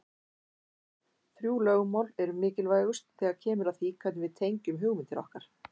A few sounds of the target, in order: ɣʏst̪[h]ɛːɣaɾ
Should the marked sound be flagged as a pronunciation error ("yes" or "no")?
yes